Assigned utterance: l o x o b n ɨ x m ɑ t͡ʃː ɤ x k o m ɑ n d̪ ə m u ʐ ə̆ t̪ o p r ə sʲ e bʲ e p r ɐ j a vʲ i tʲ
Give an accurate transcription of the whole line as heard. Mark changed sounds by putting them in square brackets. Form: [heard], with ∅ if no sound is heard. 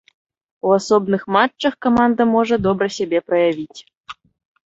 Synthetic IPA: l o [s] o b n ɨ x m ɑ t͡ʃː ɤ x k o m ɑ n d̪ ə m [o] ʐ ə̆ [d̪] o [b] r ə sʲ e bʲ e p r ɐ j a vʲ i tʲ